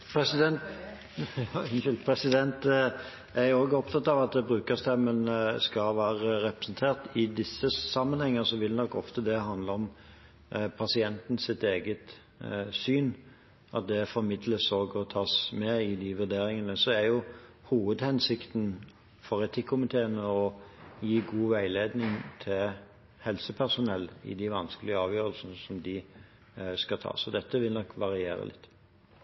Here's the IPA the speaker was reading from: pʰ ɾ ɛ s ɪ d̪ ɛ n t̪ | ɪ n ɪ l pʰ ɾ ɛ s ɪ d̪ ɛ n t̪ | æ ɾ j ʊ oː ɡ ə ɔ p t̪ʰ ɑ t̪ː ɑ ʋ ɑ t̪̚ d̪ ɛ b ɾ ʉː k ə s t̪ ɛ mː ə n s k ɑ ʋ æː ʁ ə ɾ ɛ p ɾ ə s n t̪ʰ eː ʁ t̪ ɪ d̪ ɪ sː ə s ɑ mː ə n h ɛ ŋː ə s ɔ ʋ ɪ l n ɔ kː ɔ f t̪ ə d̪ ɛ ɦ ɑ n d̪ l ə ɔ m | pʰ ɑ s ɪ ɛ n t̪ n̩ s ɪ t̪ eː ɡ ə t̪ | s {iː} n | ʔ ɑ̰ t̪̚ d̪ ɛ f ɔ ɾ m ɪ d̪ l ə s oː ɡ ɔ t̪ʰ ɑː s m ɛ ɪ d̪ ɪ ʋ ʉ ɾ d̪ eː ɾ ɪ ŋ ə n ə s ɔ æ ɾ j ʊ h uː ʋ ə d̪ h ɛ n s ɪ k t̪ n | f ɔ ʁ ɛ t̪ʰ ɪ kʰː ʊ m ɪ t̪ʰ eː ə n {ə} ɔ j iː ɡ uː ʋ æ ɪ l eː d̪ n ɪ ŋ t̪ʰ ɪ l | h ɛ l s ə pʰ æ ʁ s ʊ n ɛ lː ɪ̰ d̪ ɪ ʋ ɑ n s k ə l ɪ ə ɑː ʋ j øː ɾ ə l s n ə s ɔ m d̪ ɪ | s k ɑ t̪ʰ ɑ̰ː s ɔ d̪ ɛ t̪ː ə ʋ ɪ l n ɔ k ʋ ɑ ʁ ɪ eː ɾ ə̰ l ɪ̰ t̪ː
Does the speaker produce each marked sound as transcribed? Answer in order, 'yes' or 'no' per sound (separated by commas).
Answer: no, yes